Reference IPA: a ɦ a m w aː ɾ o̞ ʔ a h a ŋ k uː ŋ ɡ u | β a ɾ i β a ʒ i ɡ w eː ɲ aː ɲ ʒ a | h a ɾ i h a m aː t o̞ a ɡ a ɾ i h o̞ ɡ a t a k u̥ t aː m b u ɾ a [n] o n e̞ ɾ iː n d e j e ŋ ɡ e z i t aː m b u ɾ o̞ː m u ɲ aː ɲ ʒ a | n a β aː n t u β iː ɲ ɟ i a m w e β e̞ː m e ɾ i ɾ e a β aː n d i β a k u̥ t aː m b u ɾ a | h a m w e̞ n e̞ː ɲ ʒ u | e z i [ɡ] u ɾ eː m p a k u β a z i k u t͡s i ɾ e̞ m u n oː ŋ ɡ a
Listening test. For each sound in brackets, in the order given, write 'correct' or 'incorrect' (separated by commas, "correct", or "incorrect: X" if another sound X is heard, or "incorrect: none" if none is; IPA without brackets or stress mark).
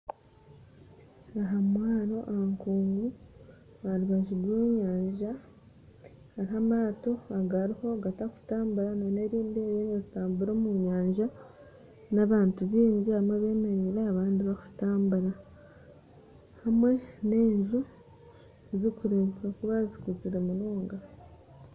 correct, incorrect: k